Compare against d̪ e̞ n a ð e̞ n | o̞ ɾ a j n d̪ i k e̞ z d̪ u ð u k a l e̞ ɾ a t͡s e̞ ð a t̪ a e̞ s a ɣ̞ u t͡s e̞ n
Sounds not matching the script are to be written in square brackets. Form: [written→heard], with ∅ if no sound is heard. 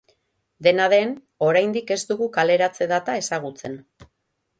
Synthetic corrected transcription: d̪ e̞ n a ð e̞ n | o̞ ɾ a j n d̪ i k e̞ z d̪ u [ð→ɣ] u k a l e̞ ɾ a t͡s e̞ ð a t̪ a e̞ s a ɣ̞ u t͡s e̞ n